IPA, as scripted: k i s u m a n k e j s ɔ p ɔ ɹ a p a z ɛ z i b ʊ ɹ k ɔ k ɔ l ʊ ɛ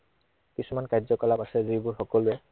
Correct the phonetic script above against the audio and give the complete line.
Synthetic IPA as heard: k i s u m a n k a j z ɔ k ɔ l a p a s ɛ z i b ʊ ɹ x ɔ k ɔ l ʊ ɛ